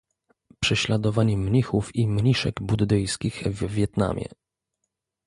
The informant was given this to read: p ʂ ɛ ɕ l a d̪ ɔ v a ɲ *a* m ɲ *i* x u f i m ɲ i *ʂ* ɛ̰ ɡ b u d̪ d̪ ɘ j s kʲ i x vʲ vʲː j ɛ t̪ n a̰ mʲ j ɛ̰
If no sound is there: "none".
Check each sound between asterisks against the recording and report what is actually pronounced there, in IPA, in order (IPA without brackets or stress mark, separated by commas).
ɛ, i, ʂ